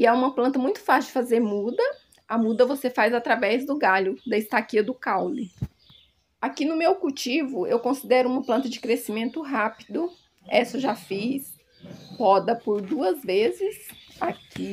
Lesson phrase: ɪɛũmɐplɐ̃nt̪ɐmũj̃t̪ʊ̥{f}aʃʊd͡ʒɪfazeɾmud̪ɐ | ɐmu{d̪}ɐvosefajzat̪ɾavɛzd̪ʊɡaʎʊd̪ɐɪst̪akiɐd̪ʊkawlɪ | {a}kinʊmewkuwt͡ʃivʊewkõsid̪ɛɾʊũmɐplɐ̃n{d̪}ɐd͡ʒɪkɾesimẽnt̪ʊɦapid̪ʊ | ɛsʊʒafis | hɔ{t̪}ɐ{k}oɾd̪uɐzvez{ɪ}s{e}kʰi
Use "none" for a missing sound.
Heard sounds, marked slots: f, d̪, a, t̪, d̪, p, ɪ, a

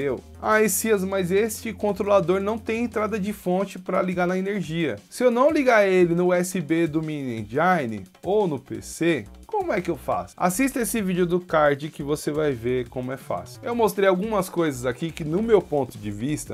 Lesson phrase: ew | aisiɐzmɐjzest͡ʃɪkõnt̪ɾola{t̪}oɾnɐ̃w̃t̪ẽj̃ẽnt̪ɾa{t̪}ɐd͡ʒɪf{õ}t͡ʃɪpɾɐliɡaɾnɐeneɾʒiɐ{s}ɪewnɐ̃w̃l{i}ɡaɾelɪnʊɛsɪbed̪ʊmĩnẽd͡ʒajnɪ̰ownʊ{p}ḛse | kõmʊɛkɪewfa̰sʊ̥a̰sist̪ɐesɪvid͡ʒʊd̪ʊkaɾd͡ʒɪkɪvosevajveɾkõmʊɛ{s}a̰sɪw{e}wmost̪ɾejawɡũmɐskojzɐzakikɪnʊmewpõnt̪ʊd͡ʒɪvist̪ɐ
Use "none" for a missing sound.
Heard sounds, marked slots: d̪, d̪, õ, s, i, p, f, e

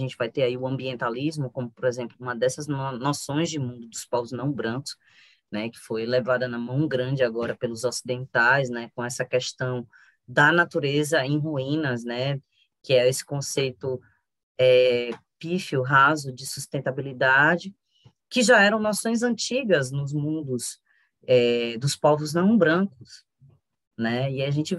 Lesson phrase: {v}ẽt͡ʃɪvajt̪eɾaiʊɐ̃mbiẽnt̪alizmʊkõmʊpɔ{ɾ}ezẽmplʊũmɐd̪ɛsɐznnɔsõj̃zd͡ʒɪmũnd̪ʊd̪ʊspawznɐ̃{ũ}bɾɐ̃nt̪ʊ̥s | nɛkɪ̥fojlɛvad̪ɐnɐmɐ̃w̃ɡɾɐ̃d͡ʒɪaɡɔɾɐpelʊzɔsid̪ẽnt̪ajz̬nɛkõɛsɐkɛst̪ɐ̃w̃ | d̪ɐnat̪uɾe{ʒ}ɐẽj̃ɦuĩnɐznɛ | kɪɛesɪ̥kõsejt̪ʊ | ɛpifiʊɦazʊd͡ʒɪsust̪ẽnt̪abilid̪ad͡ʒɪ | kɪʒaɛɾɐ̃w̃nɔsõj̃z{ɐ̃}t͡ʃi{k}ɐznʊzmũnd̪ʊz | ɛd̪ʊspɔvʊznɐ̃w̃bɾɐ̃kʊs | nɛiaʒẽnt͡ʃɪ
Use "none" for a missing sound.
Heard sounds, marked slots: ʒ, ɾ, w̃, z, ɐ̃, ɡ

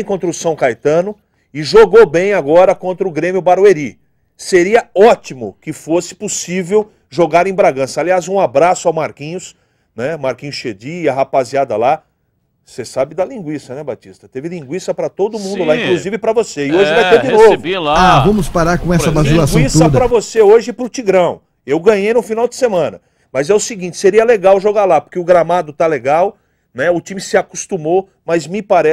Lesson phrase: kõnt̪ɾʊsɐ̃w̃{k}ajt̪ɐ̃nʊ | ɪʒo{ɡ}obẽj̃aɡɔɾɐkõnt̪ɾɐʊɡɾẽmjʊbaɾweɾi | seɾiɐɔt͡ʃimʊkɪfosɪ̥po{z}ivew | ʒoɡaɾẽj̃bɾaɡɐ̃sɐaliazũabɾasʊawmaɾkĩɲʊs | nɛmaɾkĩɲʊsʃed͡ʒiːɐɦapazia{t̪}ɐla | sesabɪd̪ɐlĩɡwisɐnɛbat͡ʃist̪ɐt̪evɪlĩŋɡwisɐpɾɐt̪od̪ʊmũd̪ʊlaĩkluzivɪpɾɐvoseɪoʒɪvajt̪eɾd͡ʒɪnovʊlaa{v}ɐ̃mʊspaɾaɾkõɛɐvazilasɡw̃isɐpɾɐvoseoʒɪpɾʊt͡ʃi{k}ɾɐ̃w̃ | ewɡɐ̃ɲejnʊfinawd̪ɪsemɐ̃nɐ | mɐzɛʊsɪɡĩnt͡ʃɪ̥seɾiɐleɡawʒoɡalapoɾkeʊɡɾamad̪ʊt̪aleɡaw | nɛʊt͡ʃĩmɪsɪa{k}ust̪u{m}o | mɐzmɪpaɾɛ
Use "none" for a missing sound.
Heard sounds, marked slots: k, ɡ, s, d̪, v, ɡ, k, m

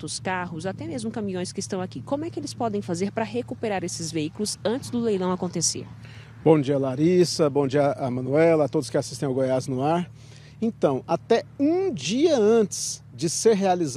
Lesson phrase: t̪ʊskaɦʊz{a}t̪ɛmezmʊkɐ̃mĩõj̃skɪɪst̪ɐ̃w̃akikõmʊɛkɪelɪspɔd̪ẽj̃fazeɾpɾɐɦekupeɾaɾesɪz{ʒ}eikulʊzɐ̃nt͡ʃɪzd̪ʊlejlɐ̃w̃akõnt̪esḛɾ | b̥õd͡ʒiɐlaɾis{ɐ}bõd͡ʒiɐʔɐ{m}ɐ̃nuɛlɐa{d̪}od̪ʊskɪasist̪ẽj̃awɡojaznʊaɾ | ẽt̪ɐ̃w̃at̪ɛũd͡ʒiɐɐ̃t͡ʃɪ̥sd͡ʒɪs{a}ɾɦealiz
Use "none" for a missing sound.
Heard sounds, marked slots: a, v, ɐ, m, t̪, e

